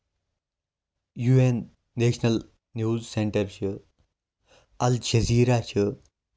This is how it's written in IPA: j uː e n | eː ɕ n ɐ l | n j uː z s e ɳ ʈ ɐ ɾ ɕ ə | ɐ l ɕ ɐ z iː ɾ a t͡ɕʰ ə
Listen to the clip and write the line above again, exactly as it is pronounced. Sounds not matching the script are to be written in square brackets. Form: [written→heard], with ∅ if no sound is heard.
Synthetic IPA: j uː e [n→nː] | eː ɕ n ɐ l | n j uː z s e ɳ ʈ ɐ ɾ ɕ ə | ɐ l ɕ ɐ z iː ɾ a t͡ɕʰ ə